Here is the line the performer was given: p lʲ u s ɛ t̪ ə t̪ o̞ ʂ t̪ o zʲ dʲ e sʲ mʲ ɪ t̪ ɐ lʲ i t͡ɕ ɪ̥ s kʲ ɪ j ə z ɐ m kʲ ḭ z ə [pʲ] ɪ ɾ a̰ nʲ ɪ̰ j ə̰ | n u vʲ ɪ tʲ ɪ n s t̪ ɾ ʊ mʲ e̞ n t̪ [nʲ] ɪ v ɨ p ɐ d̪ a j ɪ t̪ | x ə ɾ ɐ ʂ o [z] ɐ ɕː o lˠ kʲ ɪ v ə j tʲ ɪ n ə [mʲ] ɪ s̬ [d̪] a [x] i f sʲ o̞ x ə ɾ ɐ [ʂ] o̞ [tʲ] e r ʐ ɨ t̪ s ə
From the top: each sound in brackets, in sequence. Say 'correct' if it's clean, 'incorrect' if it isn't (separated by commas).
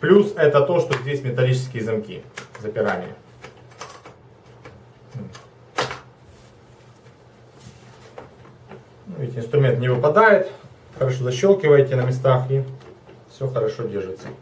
correct, correct, correct, correct, incorrect, correct, correct, incorrect